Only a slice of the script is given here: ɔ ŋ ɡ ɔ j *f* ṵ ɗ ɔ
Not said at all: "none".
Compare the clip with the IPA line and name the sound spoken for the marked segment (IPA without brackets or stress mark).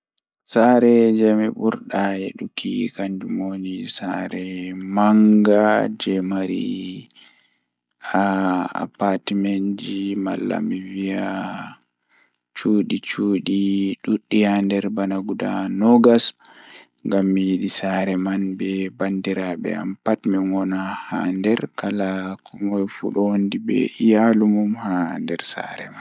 f